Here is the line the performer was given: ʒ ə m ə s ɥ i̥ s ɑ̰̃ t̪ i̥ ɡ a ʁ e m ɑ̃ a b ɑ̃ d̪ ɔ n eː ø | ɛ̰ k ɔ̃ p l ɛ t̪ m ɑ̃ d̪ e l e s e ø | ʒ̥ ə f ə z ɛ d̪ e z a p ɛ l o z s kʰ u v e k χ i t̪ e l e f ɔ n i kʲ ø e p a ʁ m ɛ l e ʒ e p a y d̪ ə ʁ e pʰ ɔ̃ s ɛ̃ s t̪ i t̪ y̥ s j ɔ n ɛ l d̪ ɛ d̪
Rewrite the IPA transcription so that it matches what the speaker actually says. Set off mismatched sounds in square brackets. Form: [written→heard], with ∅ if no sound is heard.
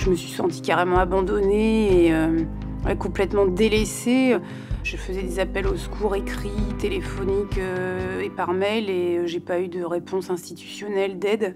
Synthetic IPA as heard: ʒ ə m ə s ɥ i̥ s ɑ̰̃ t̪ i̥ [ɡ→k] a ʁ e m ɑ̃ a b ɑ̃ d̪ ɔ n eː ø | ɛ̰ k ɔ̃ p l ɛ t̪ m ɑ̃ d̪ e l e s e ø | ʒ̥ ə f ə z ɛ d̪ e z a p ɛ l o [z→∅] s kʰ u [v→ʁ] e k χ i t̪ e l e f ɔ n i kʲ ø e p a ʁ m ɛ l e ʒ e p a y d̪ ə ʁ e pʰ ɔ̃ s ɛ̃ s t̪ i t̪ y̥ s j ɔ n ɛ l d̪ ɛ d̪

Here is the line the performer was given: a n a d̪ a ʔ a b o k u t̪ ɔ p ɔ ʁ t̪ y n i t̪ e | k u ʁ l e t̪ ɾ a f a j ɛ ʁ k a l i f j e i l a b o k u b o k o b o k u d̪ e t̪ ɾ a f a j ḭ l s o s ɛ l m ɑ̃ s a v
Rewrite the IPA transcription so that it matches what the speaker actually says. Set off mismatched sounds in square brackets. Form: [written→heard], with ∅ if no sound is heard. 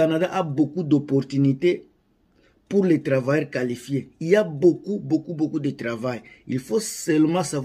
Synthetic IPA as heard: a n a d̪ a ʔ a b o k u [t̪→d̪] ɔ p ɔ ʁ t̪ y n i t̪ e | [k→p] u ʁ l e t̪ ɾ a [f→v] a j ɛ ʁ k a l i f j e i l a b o k u b o k [o→u] b o k u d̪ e t̪ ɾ a [f→v] a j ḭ l [s→f] o s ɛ l m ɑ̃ s a v

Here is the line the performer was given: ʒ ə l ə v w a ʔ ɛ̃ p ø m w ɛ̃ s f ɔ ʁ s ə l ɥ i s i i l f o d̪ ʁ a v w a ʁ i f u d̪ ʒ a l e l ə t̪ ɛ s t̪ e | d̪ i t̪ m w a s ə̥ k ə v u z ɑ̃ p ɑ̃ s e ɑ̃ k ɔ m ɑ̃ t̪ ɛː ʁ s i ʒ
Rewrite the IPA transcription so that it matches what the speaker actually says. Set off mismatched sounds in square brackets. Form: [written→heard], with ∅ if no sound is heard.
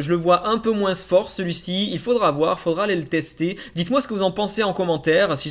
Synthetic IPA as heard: ʒ ə l ə v w a ʔ ɛ̃ p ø m w ɛ̃ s f ɔ ʁ s ə l ɥ i s i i l f o d̪ ʁ a v w a ʁ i f [u→o] d̪ [ʒ→ʁ] a l e l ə t̪ ɛ s t̪ e | d̪ i t̪ m w a s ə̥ k ə v u z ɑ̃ p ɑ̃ s e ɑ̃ k ɔ m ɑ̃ t̪ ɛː ʁ s i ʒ

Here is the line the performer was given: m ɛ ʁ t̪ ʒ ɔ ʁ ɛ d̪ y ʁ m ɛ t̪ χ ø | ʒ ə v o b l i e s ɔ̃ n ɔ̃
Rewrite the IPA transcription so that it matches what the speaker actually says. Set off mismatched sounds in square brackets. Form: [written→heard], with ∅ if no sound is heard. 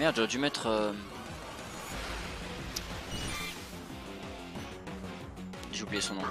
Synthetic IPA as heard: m ɛ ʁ [t̪→d̪] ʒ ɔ ʁ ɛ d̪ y [ʁ→∅] m ɛ t̪ χ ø | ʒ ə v [o→u] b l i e s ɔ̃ n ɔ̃

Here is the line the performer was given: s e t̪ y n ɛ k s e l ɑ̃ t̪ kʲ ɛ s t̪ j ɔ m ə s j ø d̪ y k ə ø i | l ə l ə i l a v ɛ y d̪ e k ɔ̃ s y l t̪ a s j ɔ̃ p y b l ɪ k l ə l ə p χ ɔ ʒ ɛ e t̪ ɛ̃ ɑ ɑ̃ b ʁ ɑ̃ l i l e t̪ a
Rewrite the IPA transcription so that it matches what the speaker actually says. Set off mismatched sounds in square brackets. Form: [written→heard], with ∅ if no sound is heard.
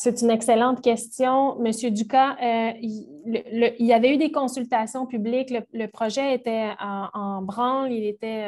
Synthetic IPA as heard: s e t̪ y n ɛ k s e l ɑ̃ t̪ kʲ ɛ s t̪ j [ɔ→ɔ̃] m ə s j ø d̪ y k [ə→a] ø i | l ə l ə i l a v ɛ y d̪ e k ɔ̃ s y l t̪ a s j ɔ̃ p y b l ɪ k l ə l ə p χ ɔ ʒ ɛ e t̪ [ɛ̃→ɛ] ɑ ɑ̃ b ʁ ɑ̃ l i l e t̪ [a→ɛ]

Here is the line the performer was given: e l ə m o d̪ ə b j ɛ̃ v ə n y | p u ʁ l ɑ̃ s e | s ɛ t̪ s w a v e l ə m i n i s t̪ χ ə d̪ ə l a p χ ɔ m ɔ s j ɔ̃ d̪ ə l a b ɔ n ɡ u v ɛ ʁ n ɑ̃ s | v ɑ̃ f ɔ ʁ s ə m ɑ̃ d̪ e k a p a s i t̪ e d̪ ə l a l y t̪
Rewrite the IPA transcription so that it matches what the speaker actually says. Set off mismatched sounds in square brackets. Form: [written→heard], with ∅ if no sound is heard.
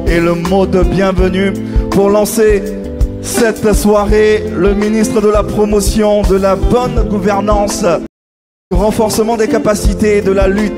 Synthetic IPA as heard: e l ə m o d̪ ə b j ɛ̃ v ə n y | p u ʁ l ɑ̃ s e | s ɛ t̪ s w a [v→ʁ] e l ə m i n i s t̪ χ ə d̪ ə l a p χ ɔ m ɔ s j ɔ̃ d̪ ə l a b ɔ n ɡ u v ɛ ʁ n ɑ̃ s | [v→ʁ] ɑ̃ f ɔ ʁ s ə m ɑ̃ d̪ e k a p a s i t̪ e d̪ ə l a l y t̪

